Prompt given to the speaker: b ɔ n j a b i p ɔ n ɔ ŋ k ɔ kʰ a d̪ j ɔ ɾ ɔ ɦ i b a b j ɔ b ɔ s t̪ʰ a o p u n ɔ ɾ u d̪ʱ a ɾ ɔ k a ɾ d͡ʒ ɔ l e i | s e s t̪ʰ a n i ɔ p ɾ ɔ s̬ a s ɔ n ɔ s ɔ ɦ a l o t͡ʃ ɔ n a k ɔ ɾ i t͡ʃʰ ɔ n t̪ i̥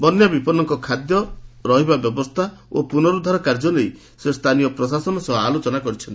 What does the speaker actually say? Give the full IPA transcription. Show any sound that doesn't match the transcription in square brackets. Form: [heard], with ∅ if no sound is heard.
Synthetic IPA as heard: b ɔ n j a b i p ɔ n ɔ ŋ k ɔ kʰ a d̪ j ɔ ɾ ɔ ɦ i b a b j ɔ b ɔ s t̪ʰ a o p u n ɔ ɾ u d̪ʱ a ɾ ɔ k a ɾ d͡ʒ ɔ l e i | s e s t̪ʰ a n i ɔ p ɾ ɔ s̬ a s ɔ n ɔ s ɔ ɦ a l o t͡ʃ ɔ n a k ɔ ɾ i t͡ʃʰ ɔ n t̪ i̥